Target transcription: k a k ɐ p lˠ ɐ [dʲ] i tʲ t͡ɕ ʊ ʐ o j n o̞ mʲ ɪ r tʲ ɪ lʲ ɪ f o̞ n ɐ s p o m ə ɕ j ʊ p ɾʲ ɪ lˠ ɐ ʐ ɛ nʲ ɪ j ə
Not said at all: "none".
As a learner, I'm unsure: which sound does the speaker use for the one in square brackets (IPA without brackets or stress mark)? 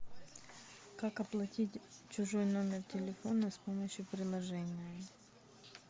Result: tʲ